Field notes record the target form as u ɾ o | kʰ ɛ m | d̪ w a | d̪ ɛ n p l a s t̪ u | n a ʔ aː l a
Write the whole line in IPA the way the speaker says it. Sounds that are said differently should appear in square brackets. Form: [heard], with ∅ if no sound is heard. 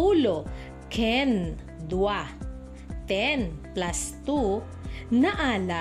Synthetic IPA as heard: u [l] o | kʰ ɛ [n] | d̪ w a | [t̪] ɛ n p l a s t̪ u | n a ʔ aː l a